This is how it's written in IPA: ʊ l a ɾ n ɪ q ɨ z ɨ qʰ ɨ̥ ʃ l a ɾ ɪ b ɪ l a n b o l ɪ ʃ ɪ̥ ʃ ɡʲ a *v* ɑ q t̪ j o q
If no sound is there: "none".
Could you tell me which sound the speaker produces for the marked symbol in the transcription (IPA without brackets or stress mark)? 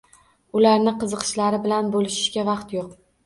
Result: v